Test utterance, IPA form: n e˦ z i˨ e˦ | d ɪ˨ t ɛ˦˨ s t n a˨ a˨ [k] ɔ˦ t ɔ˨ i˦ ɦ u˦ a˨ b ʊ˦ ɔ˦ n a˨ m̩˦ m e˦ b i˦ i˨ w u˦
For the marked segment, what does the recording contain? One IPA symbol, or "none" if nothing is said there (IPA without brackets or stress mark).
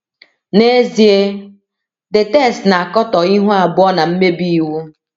k